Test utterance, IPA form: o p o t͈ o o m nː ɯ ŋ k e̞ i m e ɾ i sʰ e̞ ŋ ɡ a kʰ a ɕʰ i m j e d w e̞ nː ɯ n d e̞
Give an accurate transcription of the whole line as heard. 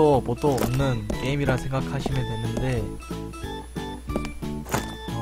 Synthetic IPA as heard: o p o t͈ o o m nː ɯ n k e̞ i m i ɾ a sʰ e̞ ŋ ɡ a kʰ a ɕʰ i m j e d w e̞ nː ɯ n d e̞